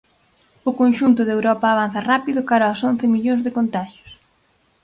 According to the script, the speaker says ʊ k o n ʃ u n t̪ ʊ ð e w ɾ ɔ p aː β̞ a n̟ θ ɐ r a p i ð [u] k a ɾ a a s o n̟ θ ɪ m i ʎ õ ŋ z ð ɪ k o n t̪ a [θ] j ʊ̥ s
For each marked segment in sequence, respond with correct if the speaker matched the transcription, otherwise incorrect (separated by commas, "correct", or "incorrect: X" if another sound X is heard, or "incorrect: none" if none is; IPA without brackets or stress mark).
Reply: incorrect: ʊ, incorrect: ʃ